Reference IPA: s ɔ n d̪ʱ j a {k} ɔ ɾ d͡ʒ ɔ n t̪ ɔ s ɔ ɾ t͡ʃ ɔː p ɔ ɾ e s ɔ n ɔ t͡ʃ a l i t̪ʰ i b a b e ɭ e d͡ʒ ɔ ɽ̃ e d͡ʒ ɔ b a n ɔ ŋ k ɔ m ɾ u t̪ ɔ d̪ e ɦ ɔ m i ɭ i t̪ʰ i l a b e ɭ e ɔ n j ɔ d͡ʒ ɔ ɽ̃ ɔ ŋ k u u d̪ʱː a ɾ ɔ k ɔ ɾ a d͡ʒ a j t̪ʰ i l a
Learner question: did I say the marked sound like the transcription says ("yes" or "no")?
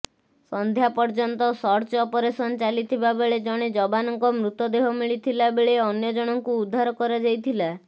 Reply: no